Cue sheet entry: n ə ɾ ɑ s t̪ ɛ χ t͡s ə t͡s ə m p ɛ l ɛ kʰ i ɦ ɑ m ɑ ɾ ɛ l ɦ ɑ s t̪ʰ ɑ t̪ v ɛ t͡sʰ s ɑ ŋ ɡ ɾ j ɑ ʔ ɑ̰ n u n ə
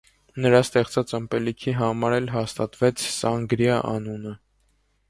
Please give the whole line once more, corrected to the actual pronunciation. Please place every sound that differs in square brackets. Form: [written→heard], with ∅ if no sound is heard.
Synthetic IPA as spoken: n ə ɾ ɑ s t̪ ɛ χ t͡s [ə→ɑ] t͡s ə m p ɛ l [ɛ→i] kʰ i ɦ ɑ m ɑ ɾ ɛ l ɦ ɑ s [t̪ʰ→t̪] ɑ t̪ v ɛ t͡sʰ s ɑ ŋ ɡ ɾ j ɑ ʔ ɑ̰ n u n ə